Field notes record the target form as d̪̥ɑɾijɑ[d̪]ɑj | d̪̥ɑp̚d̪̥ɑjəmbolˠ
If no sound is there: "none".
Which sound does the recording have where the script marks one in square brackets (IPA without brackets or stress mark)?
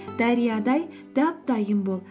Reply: d̪